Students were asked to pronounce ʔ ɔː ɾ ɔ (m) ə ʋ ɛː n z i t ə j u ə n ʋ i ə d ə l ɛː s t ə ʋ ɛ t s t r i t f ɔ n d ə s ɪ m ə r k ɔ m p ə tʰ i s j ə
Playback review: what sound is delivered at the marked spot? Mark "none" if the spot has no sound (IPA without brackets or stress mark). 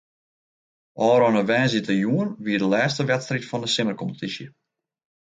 n